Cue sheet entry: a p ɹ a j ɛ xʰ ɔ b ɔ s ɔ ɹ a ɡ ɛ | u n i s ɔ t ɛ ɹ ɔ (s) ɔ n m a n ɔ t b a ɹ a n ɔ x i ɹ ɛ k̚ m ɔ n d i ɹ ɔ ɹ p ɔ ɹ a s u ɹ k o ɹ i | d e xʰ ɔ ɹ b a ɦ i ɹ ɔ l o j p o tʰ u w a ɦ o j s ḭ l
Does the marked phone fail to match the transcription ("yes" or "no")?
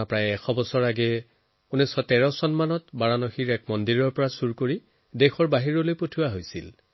no